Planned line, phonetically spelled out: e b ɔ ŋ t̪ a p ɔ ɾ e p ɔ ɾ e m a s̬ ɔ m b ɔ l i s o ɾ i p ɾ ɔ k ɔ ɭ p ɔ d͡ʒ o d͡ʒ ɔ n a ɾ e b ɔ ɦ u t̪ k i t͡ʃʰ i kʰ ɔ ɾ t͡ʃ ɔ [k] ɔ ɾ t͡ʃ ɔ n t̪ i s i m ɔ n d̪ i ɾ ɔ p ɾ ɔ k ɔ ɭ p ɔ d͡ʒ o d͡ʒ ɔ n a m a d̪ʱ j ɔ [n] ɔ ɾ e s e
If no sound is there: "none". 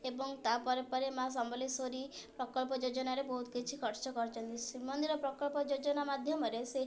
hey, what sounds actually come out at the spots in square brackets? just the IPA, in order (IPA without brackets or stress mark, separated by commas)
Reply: k, m